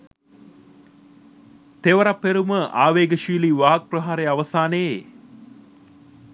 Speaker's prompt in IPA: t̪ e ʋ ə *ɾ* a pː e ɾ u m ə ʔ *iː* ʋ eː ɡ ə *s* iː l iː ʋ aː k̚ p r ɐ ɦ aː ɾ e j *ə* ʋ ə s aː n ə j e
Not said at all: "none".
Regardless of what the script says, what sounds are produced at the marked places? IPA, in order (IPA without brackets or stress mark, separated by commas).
ɾ, aː, ʃ, a